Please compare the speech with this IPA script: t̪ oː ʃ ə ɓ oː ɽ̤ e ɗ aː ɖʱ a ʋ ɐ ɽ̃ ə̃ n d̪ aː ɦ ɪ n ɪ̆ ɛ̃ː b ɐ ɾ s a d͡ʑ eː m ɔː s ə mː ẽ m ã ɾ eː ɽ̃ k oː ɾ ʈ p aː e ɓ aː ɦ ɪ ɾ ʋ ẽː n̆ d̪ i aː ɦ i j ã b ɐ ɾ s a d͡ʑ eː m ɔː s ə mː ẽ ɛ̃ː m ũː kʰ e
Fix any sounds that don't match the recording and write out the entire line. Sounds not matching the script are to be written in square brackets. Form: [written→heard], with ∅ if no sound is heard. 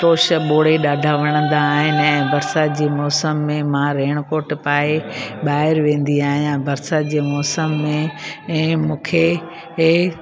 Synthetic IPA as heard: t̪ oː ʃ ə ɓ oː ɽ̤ e ɗ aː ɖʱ a ʋ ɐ ɽ̃ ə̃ n d̪ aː ɦ ɪ n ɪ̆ ɛ̃ː b ɐ ɾ s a d͡ʑ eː m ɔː s ə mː ẽ m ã ɾ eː ɽ̃ k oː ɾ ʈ p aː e ɓ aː ɦ ɪ ɾ ʋ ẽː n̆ d̪ i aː ɦ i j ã b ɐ ɾ s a d͡ʑ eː m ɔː s ə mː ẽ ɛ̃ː m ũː kʰ e